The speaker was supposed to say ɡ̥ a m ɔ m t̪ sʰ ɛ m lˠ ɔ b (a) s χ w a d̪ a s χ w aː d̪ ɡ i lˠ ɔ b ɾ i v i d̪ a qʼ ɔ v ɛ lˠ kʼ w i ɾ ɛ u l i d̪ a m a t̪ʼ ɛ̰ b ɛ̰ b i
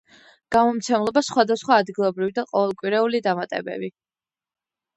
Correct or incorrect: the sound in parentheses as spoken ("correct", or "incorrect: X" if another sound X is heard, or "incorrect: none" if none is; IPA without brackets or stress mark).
correct